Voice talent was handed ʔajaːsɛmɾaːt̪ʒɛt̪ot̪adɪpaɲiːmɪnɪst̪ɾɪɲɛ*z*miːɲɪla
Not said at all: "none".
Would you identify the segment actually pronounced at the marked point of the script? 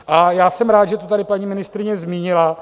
z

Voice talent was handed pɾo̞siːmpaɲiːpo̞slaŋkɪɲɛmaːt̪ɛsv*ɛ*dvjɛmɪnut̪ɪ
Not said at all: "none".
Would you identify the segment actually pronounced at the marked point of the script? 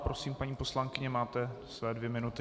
ɛː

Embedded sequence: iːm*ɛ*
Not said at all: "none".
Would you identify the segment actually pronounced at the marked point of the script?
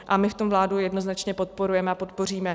ɛ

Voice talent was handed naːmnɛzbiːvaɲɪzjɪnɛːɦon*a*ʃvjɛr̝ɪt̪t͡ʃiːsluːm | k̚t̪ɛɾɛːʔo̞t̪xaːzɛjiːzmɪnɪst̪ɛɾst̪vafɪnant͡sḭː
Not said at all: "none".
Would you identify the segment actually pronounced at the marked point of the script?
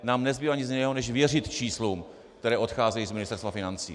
ɛ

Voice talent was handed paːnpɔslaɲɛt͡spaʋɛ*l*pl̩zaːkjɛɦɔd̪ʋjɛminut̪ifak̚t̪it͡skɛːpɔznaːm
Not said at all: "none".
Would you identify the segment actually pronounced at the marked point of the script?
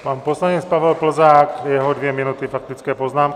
l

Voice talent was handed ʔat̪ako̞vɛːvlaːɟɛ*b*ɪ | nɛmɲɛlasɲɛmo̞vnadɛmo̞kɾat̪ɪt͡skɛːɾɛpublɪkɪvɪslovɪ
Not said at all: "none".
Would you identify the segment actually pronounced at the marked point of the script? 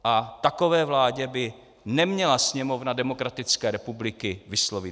b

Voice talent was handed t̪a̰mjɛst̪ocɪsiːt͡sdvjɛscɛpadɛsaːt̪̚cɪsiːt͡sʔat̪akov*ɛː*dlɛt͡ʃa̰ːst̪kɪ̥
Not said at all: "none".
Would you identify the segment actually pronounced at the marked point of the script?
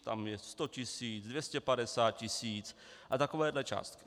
ɛː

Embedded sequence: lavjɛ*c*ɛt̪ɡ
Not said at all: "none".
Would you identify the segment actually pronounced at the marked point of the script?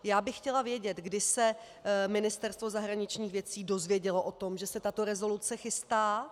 ɟ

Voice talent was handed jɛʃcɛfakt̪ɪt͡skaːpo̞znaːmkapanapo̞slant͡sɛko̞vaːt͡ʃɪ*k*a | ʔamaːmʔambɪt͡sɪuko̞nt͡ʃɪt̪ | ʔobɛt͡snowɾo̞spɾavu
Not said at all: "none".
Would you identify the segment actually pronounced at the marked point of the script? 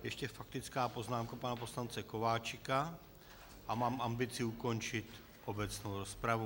k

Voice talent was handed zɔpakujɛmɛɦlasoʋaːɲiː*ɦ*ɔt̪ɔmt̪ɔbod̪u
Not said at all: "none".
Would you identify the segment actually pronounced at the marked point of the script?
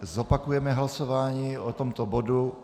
none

